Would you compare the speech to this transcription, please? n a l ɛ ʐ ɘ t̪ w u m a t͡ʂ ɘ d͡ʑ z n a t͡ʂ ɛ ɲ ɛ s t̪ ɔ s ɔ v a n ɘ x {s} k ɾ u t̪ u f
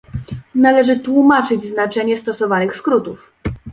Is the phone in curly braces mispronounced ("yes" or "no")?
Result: no